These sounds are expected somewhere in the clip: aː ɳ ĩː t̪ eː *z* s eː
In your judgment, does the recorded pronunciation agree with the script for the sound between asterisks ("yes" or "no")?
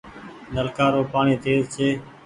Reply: yes